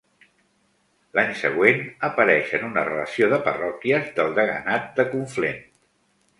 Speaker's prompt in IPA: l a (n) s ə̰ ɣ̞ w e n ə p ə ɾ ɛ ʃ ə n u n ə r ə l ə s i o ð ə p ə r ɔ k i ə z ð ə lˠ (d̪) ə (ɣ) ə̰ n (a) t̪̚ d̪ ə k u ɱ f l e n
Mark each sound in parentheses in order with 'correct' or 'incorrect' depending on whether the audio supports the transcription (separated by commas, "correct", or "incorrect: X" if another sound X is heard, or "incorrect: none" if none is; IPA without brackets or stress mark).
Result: incorrect: ɲ, correct, correct, correct